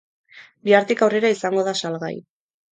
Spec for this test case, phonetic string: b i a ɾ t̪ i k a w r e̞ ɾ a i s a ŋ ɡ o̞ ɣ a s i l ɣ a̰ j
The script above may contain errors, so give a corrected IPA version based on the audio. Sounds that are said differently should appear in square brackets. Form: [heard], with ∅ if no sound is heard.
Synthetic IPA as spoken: b i a ɾ t̪ i k a w r e̞ ɾ a i s a ŋ ɡ o̞ [ð] a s [a] l ɣ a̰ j